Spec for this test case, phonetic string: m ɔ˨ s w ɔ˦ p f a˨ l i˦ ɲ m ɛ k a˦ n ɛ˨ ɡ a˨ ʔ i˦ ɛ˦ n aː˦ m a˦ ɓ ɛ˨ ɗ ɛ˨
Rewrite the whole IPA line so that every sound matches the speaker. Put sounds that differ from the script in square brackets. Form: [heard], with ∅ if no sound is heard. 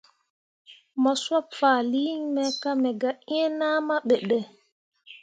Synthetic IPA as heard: m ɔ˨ s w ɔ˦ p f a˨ l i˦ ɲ m ɛ k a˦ [m] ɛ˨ ɡ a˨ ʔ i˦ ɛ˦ n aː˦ m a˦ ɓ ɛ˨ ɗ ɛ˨